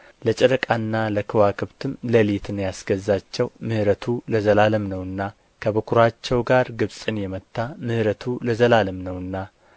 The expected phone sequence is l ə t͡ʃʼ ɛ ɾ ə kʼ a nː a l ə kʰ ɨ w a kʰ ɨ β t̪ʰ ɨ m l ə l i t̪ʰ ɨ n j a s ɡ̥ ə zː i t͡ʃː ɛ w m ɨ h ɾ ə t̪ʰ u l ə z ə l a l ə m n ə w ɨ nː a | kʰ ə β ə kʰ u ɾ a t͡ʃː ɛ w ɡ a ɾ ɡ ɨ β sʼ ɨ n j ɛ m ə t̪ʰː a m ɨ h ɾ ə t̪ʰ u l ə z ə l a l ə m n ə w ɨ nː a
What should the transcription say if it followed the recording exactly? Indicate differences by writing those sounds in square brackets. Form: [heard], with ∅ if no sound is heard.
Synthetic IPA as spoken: l ə t͡ʃʼ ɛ ɾ ə kʼ a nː a l ə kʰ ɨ w a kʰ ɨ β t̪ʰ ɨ m l ə l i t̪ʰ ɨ n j a s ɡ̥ ə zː [a] t͡ʃː ɛ w m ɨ h ɾ ə t̪ʰ u l ə z ə l a l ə m n ə w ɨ nː a | kʰ ə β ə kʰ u ɾ a t͡ʃː ɛ w ɡ a ɾ ɡ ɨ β sʼ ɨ n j ɛ m ə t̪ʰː a m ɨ h ɾ ə t̪ʰ u l ə z ə l a l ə m n ə w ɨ nː a

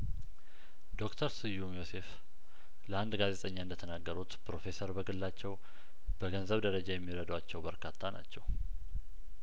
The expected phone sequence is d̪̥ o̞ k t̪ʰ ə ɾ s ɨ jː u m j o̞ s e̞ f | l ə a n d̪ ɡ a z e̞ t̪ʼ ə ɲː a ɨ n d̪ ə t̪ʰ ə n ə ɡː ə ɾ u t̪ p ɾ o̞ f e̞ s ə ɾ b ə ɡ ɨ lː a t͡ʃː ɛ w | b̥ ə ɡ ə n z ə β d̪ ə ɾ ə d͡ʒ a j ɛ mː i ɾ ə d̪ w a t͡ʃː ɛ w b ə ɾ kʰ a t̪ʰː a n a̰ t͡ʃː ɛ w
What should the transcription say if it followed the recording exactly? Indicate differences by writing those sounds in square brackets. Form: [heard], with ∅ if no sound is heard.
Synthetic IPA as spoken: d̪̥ o̞ k t̪ʰ ə ɾ s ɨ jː u m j o̞ s e̞ f | l ə a n d̪ ɡ a z e̞ t̪ʼ ə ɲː a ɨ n d̪ ə t̪ʰ ə n [a] ɡː ə ɾ u t̪ p ɾ o̞ f e̞ s ə ɾ b ə ɡ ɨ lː a t͡ʃː ɛ w | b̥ ə ɡ ə n z ə β d̪ ə ɾ ə d͡ʒ a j ɛ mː i ɾ ə d̪ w a t͡ʃː ɛ w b ə ɾ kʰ a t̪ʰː a n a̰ t͡ʃː ɛ w

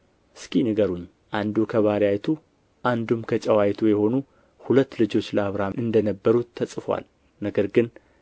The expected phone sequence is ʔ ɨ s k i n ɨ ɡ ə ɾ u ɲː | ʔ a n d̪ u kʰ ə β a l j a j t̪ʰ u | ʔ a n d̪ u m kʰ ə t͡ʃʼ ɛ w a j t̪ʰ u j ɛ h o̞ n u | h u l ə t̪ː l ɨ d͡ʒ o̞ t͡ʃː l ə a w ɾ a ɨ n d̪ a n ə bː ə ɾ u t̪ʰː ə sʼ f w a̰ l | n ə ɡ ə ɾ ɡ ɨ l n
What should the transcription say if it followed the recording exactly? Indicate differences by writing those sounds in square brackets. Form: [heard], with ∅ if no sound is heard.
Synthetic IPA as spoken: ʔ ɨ s k i n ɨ ɡ ə ɾ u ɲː | ʔ a n d̪ u kʰ ə β a [ɾ] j a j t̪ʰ u | ʔ a n d̪ u m kʰ ə t͡ʃʼ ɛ w a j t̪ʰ u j ɛ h o̞ n u | h u l ə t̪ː l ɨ d͡ʒ o̞ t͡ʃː l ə a [β] ɾ a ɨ n d̪ [ə] n ə bː ə ɾ u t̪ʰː ə sʼ f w a̰ l | n ə ɡ ə ɾ ɡ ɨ [∅] n

